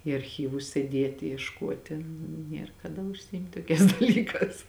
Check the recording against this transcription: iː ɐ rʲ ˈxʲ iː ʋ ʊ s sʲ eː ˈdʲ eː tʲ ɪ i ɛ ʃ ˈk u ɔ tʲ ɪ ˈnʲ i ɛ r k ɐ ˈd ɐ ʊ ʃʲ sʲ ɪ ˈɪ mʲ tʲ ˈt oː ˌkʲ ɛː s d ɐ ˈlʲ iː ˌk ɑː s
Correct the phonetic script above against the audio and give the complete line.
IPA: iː ɐ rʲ ˈxʲ iː ʋ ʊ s sʲ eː ˈdʲ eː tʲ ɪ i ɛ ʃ ˈk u ɔ tʲ ɪ ˈnʲ i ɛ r k ɐ ˈd ɐ ʊ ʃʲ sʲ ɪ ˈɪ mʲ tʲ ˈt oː ˌkʲ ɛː s d ɐ ˈlʲ iː ˌk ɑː s